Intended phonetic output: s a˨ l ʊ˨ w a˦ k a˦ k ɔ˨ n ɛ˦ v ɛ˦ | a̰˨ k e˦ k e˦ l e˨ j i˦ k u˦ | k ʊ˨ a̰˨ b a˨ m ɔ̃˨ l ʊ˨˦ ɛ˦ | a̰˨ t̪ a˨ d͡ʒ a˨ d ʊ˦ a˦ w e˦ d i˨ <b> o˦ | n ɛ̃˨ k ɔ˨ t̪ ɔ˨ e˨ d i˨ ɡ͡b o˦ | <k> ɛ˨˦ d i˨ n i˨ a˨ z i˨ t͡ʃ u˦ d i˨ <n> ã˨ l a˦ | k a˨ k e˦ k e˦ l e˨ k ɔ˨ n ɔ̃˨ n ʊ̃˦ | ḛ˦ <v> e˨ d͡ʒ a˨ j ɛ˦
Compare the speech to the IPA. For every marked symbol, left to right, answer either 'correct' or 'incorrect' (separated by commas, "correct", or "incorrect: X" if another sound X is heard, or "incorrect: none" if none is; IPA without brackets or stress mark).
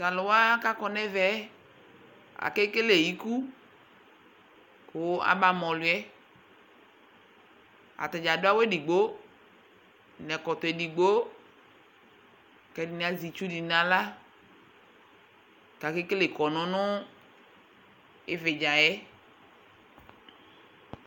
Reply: incorrect: ɡ͡b, correct, correct, correct